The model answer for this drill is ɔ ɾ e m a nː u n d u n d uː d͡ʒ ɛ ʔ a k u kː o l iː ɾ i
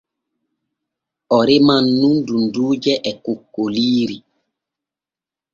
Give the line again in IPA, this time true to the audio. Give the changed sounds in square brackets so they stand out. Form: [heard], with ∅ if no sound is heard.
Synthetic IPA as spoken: ɔ ɾ e m a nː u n d u n d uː d͡ʒ ɛ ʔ [ɛ] k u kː o l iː ɾ i